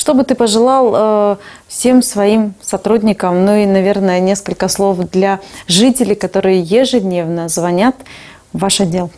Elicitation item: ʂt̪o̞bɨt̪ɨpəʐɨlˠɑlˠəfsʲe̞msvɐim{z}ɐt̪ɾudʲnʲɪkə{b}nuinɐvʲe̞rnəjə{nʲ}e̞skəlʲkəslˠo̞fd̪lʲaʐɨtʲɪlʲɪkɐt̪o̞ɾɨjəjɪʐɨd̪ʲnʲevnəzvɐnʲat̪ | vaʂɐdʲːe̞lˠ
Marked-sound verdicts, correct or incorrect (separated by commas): incorrect, incorrect, correct